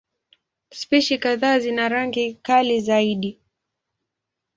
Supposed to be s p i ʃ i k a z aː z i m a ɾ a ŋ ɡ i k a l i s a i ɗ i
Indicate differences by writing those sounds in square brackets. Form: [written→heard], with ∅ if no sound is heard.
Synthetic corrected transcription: s p i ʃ i k a [z→ð] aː z i [m→n] a ɾ a ŋ ɡ i k a l i [s→z] a i ɗ i